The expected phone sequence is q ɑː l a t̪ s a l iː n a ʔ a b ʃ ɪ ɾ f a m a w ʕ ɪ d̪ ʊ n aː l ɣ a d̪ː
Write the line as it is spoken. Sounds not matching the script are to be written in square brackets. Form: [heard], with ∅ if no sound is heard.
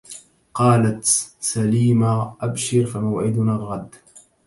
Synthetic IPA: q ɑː l a t̪ s a l iː [m] a ʔ a b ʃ ɪ ɾ f a m a w ʕ ɪ d̪ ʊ n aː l ɣ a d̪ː